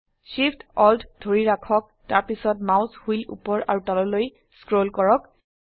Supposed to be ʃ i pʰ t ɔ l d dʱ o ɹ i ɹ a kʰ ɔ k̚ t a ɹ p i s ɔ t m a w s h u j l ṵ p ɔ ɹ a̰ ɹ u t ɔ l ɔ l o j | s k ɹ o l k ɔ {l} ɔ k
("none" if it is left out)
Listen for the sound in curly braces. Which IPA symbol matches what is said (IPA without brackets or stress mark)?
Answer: ɹ